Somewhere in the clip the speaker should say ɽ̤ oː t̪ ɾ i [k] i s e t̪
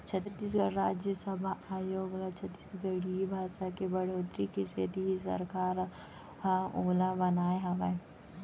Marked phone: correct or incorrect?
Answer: correct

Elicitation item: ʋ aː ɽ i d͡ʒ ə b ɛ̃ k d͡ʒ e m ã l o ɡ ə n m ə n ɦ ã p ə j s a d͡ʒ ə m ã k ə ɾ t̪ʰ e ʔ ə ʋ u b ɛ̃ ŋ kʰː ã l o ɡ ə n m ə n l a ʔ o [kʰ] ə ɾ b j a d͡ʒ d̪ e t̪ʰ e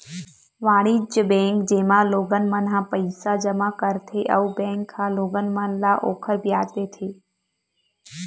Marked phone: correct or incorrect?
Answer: correct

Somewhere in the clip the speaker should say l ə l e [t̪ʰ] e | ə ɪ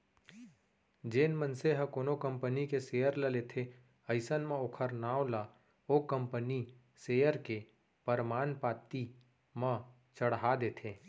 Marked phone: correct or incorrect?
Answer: correct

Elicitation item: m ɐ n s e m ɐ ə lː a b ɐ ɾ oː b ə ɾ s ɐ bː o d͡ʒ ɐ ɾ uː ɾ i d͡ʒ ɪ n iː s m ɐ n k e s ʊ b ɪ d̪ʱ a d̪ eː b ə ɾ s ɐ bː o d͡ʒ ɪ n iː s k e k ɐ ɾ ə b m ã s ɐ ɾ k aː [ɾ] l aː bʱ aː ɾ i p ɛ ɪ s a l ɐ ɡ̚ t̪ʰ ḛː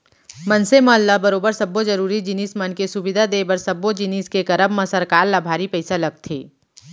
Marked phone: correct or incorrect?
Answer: correct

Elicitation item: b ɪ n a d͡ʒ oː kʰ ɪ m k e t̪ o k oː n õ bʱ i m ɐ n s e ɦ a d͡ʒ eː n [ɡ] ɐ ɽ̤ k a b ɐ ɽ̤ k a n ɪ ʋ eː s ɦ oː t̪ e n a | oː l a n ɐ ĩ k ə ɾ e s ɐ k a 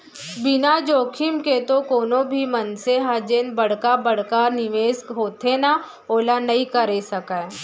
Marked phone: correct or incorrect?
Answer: incorrect: b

